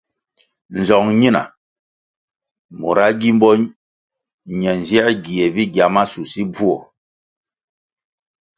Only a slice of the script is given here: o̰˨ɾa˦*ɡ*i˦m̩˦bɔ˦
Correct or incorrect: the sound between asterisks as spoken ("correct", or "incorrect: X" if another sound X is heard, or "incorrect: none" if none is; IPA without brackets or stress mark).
correct